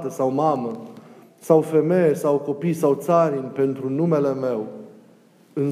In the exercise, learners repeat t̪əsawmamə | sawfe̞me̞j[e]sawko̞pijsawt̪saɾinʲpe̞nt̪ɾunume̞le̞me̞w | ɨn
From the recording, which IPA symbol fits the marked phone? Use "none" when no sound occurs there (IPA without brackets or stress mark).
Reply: e